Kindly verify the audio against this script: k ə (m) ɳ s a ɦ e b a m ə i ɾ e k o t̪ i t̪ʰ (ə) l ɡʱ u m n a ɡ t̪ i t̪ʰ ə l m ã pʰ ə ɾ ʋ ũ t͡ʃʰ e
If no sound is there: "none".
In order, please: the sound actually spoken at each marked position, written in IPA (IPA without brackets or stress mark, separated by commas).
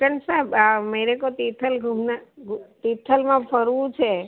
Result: none, ə